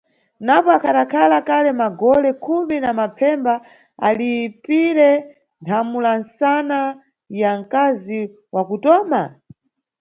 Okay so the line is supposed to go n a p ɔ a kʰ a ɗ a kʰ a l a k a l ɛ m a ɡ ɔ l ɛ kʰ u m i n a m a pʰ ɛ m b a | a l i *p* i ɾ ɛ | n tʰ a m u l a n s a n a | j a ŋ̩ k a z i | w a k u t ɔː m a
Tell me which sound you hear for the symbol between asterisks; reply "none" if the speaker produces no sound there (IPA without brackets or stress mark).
p